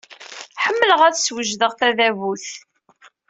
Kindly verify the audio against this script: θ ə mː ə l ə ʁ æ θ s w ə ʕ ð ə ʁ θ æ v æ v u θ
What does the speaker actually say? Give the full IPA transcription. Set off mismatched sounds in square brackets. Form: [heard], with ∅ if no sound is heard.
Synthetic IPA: [ħ] ə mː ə l ə ʁ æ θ s w ə [ʒ] ð ə ʁ θ æ [ð] æ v u θ